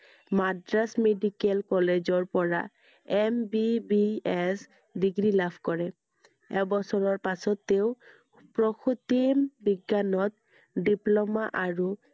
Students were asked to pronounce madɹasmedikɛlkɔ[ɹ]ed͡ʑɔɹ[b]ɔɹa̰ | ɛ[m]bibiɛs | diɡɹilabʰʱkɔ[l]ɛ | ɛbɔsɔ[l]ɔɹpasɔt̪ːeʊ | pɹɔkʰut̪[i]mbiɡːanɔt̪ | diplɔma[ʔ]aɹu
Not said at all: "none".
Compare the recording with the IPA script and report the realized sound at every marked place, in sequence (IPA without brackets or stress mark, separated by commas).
l, p, m, ɹ, ɹ, i, ʔ